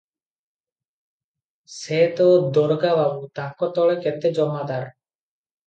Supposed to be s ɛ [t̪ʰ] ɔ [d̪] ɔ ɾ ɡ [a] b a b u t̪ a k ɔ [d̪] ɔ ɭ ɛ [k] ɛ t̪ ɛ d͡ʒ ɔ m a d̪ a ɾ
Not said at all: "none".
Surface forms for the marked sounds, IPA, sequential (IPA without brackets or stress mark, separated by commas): t̪, d̪, a, t̪, k